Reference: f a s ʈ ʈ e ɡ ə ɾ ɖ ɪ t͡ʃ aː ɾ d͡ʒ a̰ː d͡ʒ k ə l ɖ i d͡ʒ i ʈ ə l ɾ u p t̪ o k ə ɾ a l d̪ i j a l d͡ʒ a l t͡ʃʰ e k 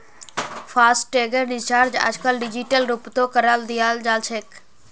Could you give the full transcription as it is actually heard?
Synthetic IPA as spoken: f a s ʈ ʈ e ɡ ə ɾ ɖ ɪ t͡ʃ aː ɾ d͡ʒ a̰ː d͡ʒ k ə l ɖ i d͡ʒ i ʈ ə l ɾ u p t̪ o k ə ɾ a l d̪ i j a l d͡ʒ a l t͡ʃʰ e k